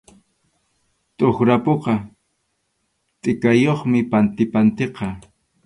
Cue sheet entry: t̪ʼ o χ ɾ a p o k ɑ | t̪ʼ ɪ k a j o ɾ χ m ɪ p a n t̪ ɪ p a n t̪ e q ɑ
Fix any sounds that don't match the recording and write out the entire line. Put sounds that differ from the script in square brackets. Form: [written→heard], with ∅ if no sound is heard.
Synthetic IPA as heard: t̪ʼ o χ ɾ a p o [k→q] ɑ | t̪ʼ ɪ k a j o [ɾ→∅] χ m ɪ p a n t̪ ɪ p a n t̪ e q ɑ